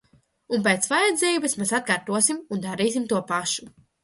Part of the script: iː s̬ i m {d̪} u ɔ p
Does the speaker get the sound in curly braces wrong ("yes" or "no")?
yes